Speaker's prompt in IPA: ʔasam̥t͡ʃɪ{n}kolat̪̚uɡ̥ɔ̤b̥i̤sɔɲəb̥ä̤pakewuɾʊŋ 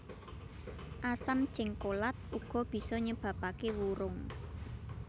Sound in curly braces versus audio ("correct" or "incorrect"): incorrect